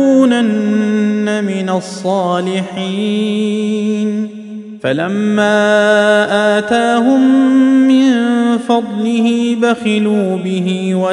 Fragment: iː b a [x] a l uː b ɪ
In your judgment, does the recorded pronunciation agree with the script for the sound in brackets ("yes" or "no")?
yes